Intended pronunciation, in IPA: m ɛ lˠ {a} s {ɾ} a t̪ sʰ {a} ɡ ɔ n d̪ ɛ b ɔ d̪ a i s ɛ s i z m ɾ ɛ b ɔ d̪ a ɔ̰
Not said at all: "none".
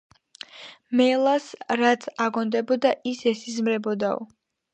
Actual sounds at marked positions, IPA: a, ɾ, a

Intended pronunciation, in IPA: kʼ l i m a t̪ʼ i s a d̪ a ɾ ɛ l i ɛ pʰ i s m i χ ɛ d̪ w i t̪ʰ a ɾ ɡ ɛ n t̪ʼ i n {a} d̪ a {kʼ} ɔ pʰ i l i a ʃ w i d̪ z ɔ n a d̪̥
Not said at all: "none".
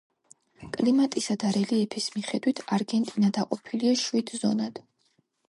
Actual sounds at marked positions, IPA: a, qʼ

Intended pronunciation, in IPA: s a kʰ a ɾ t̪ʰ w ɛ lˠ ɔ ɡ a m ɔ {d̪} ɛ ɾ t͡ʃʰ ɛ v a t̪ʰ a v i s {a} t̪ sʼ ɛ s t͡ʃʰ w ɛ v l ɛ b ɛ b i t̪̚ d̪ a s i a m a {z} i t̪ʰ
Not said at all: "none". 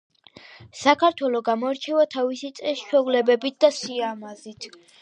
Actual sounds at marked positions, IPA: none, i, z

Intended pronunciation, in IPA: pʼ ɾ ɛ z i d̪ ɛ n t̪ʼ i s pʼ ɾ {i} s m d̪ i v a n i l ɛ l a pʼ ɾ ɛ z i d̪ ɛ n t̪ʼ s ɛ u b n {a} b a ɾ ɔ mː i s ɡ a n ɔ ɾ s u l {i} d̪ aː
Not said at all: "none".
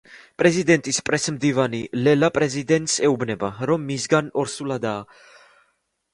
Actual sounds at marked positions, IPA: ɛ, ɛ, a

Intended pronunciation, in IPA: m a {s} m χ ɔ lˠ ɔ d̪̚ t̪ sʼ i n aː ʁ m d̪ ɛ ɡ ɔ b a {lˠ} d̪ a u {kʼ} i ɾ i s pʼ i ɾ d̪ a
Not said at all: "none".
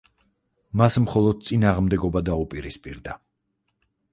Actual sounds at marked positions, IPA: s, none, pʼ

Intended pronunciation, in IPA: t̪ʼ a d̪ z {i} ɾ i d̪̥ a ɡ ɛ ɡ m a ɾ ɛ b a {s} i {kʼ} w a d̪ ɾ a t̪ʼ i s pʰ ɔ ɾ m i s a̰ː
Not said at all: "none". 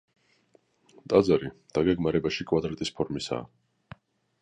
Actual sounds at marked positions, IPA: a, ʃ, kʼ

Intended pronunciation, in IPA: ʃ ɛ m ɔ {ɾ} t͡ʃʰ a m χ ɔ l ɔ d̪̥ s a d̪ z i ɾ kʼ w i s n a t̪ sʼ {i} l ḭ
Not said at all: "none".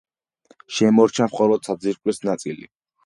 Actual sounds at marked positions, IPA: ɾ, i

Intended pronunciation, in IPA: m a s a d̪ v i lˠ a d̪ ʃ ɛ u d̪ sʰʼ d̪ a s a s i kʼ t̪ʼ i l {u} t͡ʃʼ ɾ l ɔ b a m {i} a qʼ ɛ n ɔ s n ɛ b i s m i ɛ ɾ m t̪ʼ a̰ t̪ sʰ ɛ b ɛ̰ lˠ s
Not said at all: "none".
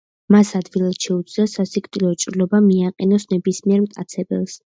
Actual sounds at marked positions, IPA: ɔ, i

